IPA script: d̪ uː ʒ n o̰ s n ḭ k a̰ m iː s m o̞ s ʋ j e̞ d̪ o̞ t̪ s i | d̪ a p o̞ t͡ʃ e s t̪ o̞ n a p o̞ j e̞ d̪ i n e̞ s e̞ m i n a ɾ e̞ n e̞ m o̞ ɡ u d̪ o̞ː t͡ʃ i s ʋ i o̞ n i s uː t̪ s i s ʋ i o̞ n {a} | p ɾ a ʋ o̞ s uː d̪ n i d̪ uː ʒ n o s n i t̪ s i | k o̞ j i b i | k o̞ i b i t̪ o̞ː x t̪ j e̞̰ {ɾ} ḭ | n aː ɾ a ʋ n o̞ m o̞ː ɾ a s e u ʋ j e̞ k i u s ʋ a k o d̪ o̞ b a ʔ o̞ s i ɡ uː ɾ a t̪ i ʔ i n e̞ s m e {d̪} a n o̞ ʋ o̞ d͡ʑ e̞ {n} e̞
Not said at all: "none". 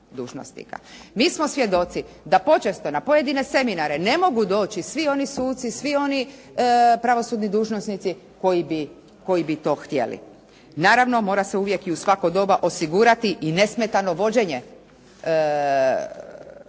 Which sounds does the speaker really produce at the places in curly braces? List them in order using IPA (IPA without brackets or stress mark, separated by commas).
i, l, t̪, ɲ